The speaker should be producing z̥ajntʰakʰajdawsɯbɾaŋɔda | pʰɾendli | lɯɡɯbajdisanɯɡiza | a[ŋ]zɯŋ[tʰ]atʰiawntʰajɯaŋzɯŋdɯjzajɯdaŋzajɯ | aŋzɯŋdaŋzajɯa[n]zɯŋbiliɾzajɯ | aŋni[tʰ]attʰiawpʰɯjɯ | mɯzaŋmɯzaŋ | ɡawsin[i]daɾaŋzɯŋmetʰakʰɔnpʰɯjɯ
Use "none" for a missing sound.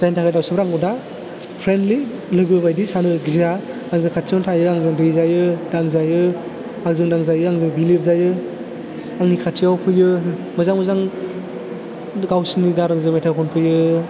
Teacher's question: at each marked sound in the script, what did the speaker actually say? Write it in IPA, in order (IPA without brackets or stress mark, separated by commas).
ŋ, kʰ, ŋ, kʰ, i